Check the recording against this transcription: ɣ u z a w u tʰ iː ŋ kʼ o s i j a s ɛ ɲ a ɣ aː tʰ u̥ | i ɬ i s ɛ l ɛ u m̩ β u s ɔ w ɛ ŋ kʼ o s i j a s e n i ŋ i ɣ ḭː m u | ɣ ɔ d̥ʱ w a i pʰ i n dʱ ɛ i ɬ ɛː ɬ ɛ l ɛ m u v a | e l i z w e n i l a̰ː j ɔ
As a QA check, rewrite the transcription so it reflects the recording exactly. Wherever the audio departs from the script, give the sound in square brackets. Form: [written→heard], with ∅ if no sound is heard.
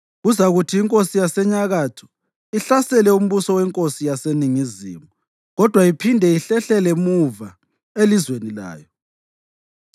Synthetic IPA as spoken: ɣ u z a [w→ɣ] u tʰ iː ŋ kʼ o s i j a s ɛ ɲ a ɣ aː tʰ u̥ | i ɬ [i→a] s ɛ l ɛ u m̩ β u s ɔ w ɛ ŋ kʼ o s i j a s e n i ŋ i [ɣ→z] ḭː m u | ɣ ɔ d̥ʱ w a i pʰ i n dʱ ɛ i ɬ [ɛː→ɛ] ɬ ɛ l ɛ m u v a | e l i z w e n i l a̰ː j ɔ